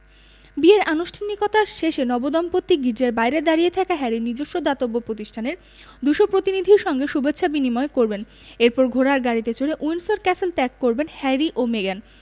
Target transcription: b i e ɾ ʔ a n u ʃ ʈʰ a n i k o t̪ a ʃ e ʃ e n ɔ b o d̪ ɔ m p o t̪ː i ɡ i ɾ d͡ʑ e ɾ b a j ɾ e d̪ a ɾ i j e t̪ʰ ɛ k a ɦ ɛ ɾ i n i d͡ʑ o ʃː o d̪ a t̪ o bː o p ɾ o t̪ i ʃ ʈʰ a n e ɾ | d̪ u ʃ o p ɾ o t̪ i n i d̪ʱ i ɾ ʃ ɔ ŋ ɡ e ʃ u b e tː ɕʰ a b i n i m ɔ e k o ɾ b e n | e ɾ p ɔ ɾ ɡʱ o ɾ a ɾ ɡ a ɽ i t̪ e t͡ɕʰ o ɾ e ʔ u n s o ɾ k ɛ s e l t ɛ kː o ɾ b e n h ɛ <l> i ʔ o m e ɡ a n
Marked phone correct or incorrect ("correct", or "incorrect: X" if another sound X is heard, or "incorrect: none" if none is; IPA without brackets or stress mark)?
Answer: incorrect: ɾ